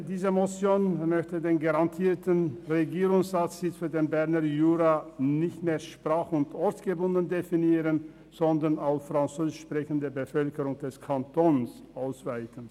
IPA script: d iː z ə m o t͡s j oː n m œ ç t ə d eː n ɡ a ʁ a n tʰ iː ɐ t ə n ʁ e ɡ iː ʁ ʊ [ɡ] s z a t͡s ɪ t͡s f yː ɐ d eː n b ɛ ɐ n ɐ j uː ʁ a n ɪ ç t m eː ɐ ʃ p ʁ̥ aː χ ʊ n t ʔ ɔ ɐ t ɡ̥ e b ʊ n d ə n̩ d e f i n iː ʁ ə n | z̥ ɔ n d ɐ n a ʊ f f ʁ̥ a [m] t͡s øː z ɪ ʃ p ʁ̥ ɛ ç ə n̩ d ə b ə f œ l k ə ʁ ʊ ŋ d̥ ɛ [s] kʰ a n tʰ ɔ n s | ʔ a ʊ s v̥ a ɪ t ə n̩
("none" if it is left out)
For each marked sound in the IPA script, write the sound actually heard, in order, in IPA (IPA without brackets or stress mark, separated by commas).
ŋ, n, s